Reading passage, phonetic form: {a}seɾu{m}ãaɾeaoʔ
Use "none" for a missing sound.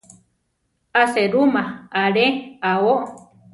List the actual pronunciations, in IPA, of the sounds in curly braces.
a, m

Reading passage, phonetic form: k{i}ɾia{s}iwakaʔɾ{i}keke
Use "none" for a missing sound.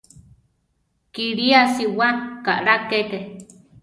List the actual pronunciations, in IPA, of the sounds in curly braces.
i, s, a

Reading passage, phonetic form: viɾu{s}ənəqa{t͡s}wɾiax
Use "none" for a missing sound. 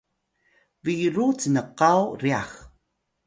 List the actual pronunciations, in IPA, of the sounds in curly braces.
t͡s, none

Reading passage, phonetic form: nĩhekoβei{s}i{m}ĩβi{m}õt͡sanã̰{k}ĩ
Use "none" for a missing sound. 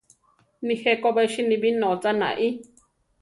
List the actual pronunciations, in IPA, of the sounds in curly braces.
ʃ, n, n, ʔ

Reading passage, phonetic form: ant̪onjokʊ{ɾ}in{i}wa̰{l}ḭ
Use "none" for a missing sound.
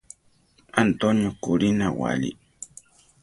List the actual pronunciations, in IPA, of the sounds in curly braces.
ɾ, a, l

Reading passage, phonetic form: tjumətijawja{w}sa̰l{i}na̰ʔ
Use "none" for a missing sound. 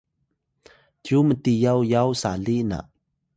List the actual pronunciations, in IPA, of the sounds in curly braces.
w, i

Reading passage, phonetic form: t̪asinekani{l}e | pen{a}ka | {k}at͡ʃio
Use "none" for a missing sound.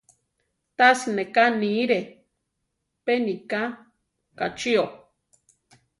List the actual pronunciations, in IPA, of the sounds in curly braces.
ɾ, i, k

